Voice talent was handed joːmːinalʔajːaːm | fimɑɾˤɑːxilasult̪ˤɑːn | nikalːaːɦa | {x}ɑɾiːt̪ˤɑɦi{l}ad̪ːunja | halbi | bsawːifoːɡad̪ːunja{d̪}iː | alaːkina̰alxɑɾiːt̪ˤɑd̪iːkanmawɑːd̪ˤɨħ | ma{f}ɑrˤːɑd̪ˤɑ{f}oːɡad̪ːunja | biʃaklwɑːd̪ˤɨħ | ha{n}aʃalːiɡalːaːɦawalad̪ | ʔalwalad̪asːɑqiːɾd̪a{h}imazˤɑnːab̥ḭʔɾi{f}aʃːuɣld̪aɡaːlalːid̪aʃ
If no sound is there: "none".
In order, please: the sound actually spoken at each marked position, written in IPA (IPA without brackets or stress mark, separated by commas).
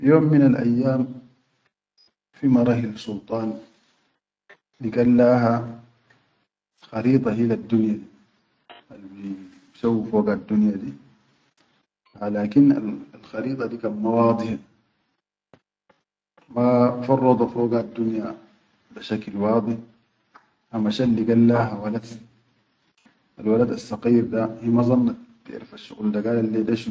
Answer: x, l, d̪, f, f, m, h, f